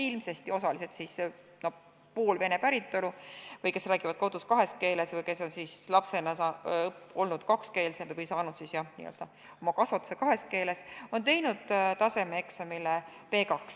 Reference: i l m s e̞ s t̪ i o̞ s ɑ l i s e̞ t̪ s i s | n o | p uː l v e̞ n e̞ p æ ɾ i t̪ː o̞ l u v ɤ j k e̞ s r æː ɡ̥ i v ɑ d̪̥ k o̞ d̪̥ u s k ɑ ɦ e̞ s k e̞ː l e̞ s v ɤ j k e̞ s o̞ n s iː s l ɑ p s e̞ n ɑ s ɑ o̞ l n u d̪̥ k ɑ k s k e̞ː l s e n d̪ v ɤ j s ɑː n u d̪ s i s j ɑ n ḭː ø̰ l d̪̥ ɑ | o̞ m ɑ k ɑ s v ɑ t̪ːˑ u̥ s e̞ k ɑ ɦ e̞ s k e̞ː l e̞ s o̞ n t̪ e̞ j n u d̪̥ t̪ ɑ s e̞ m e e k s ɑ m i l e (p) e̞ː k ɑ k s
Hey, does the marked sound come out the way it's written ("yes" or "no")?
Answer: yes